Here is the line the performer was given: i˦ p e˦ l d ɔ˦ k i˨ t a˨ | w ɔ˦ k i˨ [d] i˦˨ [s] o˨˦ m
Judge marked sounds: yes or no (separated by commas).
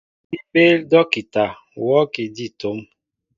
yes, no